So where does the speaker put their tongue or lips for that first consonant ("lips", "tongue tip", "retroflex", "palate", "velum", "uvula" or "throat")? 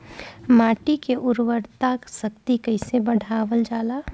lips